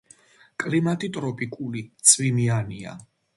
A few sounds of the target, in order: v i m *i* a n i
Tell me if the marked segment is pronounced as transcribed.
yes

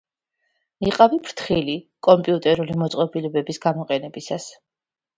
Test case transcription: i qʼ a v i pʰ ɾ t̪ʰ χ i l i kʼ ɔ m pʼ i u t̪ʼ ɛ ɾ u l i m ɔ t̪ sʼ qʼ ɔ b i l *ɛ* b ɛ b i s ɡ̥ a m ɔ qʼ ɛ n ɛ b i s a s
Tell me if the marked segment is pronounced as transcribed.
yes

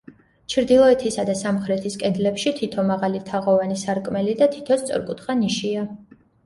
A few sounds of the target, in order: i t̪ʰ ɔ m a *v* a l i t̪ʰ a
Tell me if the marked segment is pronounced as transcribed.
no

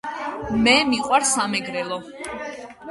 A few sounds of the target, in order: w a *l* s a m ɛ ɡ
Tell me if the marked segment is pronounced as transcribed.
no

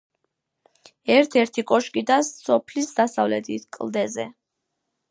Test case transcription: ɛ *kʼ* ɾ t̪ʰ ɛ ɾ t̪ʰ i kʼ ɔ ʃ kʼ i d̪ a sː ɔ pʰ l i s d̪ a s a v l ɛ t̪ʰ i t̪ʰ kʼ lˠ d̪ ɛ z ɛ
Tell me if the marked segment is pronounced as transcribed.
no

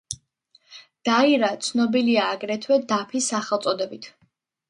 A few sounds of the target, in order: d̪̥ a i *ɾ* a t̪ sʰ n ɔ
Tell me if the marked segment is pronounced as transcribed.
yes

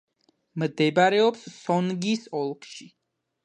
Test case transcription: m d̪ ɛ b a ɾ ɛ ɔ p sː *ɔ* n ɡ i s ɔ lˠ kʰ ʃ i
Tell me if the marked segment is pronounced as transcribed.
yes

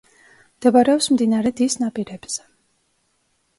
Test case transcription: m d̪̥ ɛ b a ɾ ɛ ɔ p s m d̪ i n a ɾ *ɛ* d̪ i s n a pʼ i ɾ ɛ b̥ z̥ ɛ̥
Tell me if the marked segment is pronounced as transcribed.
yes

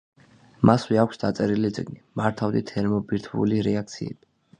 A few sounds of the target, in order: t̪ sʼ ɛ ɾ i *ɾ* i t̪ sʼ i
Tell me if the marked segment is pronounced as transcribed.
no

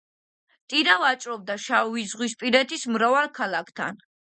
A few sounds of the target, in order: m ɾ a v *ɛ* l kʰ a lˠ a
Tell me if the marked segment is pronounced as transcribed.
no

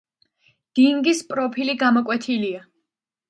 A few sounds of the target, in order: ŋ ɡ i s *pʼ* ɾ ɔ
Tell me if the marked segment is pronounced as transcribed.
yes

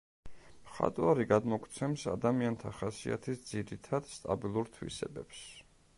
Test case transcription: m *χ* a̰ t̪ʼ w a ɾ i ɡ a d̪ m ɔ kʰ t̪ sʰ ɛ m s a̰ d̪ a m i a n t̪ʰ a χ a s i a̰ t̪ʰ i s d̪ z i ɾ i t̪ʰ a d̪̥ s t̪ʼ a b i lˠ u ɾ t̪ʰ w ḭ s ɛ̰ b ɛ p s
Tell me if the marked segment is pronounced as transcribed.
yes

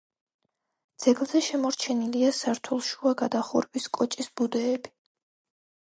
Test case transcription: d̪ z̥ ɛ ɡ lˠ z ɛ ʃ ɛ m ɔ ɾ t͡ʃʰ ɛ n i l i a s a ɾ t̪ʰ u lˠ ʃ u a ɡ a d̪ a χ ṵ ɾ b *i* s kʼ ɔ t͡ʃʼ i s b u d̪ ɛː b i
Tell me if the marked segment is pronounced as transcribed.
yes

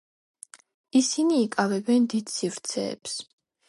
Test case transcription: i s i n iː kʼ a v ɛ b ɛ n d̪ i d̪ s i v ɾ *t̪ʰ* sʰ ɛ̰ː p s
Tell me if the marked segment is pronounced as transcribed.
no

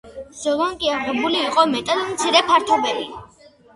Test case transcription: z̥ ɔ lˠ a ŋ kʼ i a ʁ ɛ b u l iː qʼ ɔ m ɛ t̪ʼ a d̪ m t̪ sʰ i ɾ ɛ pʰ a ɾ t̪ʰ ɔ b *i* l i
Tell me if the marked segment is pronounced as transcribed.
no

